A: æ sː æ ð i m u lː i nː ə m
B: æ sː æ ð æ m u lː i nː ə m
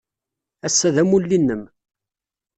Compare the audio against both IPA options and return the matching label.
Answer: B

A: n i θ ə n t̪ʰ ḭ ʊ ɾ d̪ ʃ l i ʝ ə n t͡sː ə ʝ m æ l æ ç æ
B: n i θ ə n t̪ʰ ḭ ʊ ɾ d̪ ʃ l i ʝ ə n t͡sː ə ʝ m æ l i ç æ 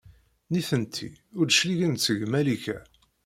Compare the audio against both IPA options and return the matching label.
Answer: B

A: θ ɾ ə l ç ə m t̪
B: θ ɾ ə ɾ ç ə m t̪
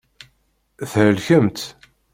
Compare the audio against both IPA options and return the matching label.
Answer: A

